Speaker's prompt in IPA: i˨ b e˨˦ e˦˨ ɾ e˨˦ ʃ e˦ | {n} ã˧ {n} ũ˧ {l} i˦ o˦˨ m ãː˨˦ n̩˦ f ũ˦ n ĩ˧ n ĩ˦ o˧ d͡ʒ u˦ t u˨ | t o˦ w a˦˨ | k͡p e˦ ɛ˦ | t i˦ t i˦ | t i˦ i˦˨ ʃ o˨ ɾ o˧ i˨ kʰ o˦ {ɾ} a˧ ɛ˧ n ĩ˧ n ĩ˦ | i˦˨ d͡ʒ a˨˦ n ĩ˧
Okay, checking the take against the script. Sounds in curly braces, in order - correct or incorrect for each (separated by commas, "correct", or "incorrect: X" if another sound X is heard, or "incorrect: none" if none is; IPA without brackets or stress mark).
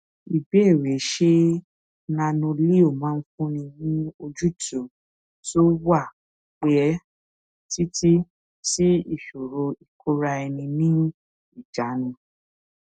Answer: correct, correct, correct, correct